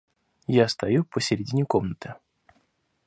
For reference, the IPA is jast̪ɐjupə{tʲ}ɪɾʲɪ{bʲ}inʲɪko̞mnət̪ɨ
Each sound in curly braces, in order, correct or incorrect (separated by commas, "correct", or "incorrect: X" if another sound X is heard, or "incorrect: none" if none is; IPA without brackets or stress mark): incorrect: sʲ, incorrect: dʲ